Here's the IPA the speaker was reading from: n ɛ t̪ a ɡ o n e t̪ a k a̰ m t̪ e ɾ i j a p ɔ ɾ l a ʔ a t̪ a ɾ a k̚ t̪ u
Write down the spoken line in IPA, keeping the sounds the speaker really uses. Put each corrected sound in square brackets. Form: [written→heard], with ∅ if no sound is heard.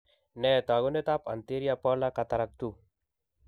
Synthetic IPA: n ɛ t̪ a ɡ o n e t̪ a [k→p] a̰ [m→n] t̪ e ɾ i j a p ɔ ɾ l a [ʔ→k] a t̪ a ɾ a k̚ t̪ u